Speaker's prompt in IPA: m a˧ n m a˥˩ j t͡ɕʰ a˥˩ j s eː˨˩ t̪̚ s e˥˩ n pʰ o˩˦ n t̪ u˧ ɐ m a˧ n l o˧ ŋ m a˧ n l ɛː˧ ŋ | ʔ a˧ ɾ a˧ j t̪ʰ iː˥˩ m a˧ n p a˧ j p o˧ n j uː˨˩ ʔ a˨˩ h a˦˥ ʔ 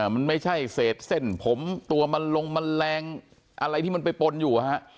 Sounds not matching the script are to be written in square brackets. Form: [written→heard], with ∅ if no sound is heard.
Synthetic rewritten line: m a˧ n m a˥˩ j t͡ɕʰ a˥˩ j s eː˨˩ t̪̚ s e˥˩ n pʰ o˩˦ [n→m] t̪ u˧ ɐ m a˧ n l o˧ ŋ m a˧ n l ɛː˧ ŋ | ʔ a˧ ɾ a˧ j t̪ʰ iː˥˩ m a˧ n p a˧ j p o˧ n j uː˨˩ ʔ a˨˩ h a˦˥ ʔ